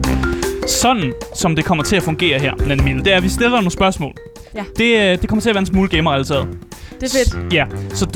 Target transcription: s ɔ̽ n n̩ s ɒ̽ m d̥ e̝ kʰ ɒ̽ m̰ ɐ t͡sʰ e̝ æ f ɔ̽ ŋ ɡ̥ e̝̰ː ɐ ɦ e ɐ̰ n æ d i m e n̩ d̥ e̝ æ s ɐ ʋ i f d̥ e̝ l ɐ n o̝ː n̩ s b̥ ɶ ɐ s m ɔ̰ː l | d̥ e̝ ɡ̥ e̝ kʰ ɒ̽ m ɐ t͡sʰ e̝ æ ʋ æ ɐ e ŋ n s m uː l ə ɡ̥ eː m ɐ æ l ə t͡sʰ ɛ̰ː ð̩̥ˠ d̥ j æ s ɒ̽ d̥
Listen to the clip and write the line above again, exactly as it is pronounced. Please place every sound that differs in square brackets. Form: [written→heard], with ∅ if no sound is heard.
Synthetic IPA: s [ɔ̽→ɒ̽] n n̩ s ɒ̽ m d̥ e̝ kʰ ɒ̽ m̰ ɐ t͡sʰ e̝ æ f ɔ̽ ŋ ɡ̥ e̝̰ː ɐ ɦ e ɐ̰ n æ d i m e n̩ d̥ e̝ æ [s→∅] ɐ ʋ i [f→s] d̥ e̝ l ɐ n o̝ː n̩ s b̥ ɶ ɐ s m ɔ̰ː l | d̥ e̝ [ɡ̥→d̥] e̝ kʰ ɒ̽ m ɐ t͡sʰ e̝ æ ʋ æ ɐ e [ŋ→∅] n s m uː l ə ɡ̥ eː m ɐ æ l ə t͡sʰ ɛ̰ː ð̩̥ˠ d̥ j æ s ɒ̽ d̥